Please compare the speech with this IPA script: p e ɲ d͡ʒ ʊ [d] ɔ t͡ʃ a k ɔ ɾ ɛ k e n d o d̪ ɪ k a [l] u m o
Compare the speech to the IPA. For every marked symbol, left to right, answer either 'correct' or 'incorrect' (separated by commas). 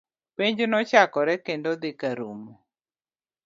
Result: incorrect, incorrect